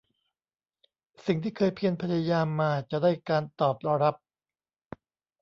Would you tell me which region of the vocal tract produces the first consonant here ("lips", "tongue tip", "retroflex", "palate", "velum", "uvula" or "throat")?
tongue tip